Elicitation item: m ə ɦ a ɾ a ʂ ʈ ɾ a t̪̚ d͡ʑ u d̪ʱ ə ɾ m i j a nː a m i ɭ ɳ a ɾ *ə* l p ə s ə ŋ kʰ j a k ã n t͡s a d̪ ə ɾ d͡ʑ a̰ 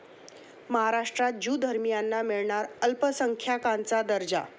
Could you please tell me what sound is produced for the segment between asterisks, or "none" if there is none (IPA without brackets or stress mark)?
ə